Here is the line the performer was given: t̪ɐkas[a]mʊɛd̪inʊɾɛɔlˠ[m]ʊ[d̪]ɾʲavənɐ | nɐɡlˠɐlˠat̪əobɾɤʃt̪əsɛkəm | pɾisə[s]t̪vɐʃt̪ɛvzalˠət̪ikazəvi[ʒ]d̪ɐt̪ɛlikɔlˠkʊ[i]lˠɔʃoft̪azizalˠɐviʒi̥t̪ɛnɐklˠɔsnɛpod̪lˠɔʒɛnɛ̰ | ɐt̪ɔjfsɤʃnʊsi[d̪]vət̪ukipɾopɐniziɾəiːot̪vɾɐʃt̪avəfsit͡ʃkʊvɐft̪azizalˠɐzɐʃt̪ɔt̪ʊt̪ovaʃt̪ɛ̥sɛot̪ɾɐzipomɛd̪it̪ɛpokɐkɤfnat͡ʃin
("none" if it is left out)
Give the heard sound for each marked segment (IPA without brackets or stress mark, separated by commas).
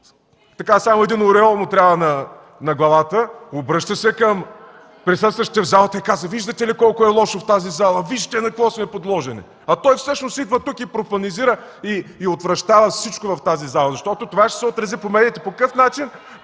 a, m, t̪, s, ʒ, ɛ, d̪